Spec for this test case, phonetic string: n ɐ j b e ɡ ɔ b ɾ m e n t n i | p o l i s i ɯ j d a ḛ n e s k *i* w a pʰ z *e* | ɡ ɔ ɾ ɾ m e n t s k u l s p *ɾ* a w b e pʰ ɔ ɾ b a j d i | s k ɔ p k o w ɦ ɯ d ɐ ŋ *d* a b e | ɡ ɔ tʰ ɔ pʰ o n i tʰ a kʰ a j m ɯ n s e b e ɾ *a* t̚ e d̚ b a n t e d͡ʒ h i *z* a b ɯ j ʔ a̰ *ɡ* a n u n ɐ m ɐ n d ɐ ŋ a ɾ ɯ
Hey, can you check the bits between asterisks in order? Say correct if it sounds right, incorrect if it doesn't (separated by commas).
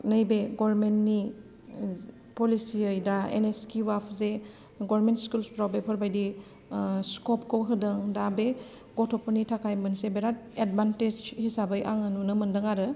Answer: correct, correct, correct, correct, correct, incorrect, incorrect